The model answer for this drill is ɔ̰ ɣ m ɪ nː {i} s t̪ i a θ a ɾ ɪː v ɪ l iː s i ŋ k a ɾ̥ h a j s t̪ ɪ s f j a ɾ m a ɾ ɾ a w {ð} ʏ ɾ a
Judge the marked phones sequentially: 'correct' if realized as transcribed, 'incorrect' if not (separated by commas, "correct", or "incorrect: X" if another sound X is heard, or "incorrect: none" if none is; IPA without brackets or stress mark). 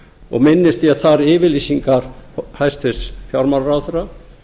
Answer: incorrect: ɪ, incorrect: θ